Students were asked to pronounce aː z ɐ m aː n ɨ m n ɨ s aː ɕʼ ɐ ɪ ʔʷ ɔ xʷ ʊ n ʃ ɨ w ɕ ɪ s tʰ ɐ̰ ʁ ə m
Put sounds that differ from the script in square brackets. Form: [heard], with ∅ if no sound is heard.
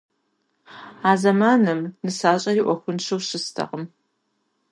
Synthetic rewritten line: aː z ɐ m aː n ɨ m n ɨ s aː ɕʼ ɐ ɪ ʔʷ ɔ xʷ ʊ n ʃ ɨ w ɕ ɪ s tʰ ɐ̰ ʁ ə m